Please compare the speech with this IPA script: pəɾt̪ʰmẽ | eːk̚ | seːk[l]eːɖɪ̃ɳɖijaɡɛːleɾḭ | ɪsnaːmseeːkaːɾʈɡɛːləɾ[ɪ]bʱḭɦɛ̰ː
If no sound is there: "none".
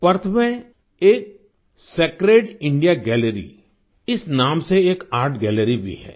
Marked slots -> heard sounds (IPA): ɾ, i

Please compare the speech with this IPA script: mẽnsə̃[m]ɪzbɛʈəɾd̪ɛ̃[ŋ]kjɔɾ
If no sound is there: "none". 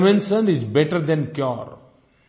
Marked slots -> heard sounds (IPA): n, n

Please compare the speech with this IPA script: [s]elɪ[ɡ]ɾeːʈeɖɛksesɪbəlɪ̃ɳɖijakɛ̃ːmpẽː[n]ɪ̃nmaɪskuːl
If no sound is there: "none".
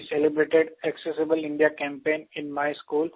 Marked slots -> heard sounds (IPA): s, b, n

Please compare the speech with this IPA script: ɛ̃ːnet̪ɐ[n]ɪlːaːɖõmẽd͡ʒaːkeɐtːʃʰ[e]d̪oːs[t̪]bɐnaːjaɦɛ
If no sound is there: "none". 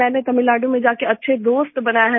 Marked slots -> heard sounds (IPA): m, e, t̪

